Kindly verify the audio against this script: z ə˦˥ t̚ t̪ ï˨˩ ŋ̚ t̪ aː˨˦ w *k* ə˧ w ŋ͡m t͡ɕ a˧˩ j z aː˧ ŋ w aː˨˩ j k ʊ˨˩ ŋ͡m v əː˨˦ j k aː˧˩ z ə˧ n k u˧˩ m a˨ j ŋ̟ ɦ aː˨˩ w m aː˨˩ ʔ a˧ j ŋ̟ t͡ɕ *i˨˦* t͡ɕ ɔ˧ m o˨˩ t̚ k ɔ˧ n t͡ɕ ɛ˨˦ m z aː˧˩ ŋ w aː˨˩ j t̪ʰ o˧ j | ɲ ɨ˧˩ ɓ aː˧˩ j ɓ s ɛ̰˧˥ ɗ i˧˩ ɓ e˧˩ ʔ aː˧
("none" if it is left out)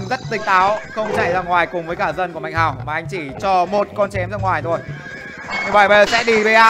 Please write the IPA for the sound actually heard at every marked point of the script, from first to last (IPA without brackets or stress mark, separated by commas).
x, i˧˩